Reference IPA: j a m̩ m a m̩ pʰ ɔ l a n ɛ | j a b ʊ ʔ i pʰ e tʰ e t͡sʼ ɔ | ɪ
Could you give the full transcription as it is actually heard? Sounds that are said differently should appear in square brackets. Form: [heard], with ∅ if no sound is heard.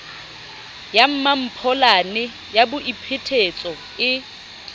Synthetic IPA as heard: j a m̩ m a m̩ pʰ ɔ l a n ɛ | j a b ʊ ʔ i pʰ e tʰ e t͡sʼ ɔ | ɪ